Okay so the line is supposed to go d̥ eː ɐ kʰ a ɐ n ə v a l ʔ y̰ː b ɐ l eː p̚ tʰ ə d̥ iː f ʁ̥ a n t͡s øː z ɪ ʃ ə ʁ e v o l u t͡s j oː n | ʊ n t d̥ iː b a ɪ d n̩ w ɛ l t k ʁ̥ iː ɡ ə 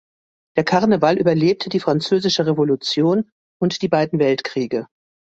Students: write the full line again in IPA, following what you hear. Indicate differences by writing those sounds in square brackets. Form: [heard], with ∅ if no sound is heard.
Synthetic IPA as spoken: d̥ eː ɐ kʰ a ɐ n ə v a l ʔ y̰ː b ɐ l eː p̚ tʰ ə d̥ iː f ʁ̥ a n t͡s øː z ɪ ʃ ə ʁ e v o l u t͡s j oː n | ʊ n t d̥ iː b a ɪ d n̩ [v] ɛ l t k ʁ̥ iː ɡ ə